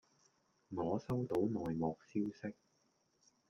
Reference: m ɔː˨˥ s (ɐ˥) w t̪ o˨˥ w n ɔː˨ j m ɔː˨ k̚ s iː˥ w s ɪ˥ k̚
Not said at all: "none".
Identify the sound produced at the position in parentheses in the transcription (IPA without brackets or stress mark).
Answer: ɐ˥